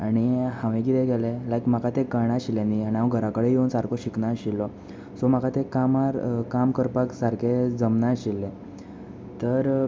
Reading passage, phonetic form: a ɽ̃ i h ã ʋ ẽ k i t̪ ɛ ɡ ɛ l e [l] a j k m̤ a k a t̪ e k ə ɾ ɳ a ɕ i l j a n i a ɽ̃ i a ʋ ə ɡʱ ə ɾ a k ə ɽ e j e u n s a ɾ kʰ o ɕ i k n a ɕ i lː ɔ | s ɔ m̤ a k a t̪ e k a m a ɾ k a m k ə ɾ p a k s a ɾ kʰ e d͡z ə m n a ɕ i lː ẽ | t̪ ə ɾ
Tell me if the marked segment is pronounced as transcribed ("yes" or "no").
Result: yes